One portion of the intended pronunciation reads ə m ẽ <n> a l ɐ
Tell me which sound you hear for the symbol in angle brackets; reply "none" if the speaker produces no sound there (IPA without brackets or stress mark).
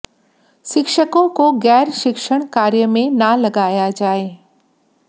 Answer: n